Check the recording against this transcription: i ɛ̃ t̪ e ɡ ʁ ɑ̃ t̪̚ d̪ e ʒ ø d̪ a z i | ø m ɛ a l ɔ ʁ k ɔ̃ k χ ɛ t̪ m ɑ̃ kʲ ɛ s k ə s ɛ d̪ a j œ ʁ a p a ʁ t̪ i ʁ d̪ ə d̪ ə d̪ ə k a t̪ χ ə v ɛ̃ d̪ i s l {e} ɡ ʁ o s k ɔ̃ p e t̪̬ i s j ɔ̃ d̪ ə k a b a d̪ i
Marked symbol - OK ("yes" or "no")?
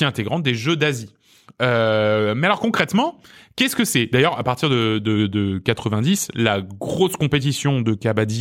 no